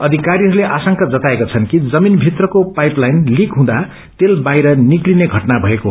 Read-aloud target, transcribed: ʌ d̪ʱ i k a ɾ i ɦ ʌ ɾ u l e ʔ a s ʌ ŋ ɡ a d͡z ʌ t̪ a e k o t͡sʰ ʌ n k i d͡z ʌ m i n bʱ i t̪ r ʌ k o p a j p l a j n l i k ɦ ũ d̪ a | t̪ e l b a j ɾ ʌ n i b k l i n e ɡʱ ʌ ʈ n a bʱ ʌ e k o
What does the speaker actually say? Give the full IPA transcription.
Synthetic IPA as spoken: ʌ d̪ʱ i k a ɾ i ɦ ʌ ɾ u l e ʔ a s ʌ ŋ k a d͡z ʌ t̪ a e k o t͡sʰ ʌ n k i d͡z ʌ m i n bʱ i t̪ r ʌ k o p a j p l a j n l i k ɦ ũ d̪ a | t̪ e l b a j ɾ ʌ n i k l i n e ɡʱ ʌ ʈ n a bʱ ʌ e k o